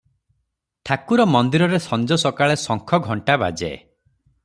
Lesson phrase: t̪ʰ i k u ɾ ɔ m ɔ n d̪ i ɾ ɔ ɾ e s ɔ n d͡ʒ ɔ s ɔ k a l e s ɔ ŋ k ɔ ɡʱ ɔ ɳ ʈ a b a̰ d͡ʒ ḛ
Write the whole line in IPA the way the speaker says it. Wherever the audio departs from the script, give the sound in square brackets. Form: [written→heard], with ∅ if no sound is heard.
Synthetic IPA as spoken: t̪ʰ [i→a] k u ɾ ɔ m ɔ n d̪ i ɾ ɔ ɾ e s ɔ n d͡ʒ ɔ s ɔ k a [l→ɭ] e s ɔ ŋ [k→kʰ] ɔ ɡʱ ɔ ɳ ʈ a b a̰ d͡ʒ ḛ

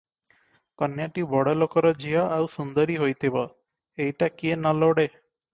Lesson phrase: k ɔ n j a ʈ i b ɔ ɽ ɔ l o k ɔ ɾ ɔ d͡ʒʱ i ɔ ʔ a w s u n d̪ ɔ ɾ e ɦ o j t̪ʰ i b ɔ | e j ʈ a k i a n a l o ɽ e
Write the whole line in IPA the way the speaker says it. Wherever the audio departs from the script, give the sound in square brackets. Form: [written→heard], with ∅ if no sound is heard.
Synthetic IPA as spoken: k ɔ n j a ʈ i b ɔ ɽ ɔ l o k ɔ ɾ ɔ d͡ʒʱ i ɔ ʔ a w s u n d̪ ɔ ɾ [e→i] ɦ o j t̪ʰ i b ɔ | e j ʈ a k i [a→e] n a l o ɽ e

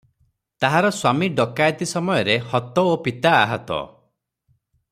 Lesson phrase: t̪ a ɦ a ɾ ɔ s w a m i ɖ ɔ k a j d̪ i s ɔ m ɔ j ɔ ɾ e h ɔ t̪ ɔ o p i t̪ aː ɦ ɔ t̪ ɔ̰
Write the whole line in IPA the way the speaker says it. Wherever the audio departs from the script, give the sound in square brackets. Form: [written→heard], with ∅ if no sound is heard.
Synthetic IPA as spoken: t̪ a ɦ a ɾ ɔ s w a m i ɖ ɔ k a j [d̪→t̪] i s ɔ m ɔ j ɔ ɾ e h ɔ t̪ ɔ o p i t̪ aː ɦ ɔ t̪ ɔ̰

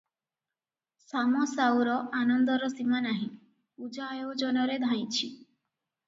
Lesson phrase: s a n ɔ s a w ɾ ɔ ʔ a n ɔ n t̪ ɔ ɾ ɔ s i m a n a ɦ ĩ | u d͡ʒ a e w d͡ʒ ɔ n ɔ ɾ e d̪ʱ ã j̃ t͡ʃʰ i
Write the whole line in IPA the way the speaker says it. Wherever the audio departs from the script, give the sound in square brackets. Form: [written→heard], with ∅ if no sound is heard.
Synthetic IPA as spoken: s a [n→m] ɔ s a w ɾ ɔ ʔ a n ɔ n [t̪→d̪] ɔ ɾ ɔ s i m a n a ɦ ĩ | u d͡ʒ a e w d͡ʒ ɔ n ɔ ɾ e d̪ʱ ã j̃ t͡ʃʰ i

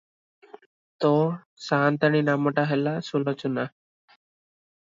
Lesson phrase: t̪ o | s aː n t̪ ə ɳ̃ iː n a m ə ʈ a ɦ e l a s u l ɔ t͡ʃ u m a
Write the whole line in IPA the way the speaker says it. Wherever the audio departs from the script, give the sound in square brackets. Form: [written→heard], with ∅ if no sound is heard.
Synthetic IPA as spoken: t̪ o | s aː n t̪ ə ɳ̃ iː n a m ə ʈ a ɦ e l a s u l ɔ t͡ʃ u [m→n] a

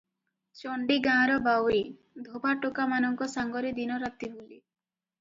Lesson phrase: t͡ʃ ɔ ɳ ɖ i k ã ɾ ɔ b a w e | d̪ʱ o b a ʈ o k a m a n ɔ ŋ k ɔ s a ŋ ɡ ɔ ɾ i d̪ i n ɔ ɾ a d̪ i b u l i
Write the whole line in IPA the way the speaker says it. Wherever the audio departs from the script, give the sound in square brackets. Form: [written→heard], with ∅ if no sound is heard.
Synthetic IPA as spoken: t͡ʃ ɔ ɳ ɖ i [k→ɡ] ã ɾ ɔ b a w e | d̪ʱ o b a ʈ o k a m a n ɔ ŋ k ɔ s a ŋ ɡ ɔ ɾ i d̪ i n ɔ ɾ a [d̪→t̪] i b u l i

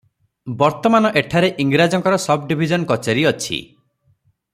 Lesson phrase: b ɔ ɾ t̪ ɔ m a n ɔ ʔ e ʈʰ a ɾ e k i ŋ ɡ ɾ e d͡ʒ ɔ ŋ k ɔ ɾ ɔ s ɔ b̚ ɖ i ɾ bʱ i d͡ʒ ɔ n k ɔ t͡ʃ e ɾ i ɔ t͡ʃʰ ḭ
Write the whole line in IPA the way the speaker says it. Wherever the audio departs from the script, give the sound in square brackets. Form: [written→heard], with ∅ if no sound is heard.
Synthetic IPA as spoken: b ɔ ɾ t̪ ɔ m a n ɔ ʔ e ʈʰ a ɾ e [k→ʔ] i ŋ ɡ ɾ [e→a] d͡ʒ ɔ ŋ k ɔ ɾ ɔ s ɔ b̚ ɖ i [ɾ→∅] bʱ i d͡ʒ ɔ n k ɔ t͡ʃ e ɾ i ɔ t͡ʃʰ ḭ

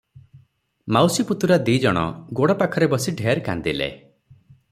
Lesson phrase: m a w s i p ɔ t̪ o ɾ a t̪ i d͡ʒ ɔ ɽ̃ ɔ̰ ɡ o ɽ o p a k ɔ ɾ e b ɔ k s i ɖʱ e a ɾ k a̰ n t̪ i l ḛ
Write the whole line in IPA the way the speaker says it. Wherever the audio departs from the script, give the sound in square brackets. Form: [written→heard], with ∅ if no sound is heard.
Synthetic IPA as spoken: m a w s i p [ɔ→u] t̪ [o→u] ɾ a [t̪→d̪] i d͡ʒ ɔ ɽ̃ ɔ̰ ɡ o ɽ [o→ɔ] p a [k→kʰ] ɔ ɾ e b ɔ [k→∅] s i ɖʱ e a ɾ k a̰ n [t̪→d̪] i l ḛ

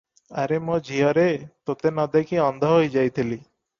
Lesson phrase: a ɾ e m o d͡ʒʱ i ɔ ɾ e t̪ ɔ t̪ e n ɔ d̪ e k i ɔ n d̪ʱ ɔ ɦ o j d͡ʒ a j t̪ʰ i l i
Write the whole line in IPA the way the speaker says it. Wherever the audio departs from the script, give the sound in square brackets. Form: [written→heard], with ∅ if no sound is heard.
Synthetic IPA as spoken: a ɾ e m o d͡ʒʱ i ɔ ɾ e t̪ [ɔ→o] t̪ e n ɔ d̪ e k i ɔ n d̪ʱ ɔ ɦ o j d͡ʒ a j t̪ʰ i l i

